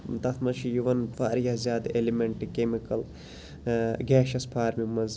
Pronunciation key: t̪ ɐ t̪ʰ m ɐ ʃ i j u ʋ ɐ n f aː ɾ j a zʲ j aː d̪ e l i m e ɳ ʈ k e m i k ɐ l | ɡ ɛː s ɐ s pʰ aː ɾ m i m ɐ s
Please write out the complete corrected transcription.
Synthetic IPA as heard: t̪ ɐ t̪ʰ m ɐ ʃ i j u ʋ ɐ n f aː ɾ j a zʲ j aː d̪ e l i m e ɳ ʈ k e m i k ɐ l | ɡ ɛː ʃ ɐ s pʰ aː ɾ m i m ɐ z